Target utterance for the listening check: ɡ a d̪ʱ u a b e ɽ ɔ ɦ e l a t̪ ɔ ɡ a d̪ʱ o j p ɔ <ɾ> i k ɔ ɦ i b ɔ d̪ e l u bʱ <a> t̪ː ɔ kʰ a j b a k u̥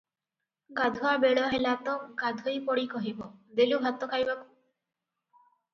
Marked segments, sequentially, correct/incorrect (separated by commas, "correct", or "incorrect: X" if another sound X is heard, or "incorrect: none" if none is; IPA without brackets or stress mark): incorrect: ɽ, correct